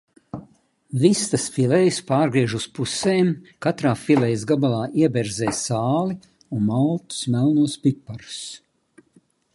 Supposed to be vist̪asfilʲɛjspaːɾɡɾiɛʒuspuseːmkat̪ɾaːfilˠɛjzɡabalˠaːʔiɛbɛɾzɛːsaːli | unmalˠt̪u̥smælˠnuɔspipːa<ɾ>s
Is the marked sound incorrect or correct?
correct